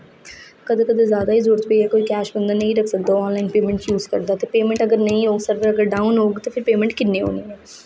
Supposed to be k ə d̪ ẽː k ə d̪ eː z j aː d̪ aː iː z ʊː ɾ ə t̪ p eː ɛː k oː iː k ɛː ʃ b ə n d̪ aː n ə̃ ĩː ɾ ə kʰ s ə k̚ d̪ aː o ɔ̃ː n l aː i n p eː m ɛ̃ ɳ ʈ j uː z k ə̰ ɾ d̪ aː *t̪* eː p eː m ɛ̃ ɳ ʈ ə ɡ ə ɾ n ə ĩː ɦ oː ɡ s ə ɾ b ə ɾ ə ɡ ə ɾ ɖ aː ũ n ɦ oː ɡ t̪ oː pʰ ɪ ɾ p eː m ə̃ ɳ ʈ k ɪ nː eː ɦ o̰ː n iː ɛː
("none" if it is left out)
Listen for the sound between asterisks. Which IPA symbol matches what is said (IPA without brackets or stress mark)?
t̪